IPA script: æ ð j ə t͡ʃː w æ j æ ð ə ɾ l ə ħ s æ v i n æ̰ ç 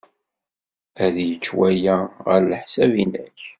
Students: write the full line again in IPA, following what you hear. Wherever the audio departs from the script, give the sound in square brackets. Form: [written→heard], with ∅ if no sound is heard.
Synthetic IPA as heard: æ ð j ə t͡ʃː w æ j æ [ð→ʁ] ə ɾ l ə ħ s æ v i n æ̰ ç